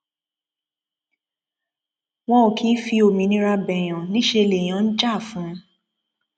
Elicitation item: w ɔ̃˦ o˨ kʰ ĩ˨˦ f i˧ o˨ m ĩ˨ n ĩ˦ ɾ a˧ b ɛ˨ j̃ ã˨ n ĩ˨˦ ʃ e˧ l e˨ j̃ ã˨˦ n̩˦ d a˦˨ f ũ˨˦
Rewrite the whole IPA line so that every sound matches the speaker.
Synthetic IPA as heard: w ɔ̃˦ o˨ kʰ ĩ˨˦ f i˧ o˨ m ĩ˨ n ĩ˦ ɾ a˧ b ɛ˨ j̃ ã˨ n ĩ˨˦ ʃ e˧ l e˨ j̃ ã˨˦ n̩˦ d͡ʒ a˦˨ f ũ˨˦